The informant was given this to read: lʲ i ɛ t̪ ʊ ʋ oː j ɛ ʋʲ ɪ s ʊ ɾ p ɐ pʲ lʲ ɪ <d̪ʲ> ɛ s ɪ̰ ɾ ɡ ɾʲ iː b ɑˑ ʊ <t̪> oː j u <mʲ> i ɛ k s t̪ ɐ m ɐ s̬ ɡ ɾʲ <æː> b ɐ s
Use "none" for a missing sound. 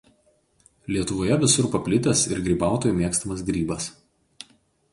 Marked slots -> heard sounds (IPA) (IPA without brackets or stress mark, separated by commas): t̪ʲ, t̪, mʲ, iː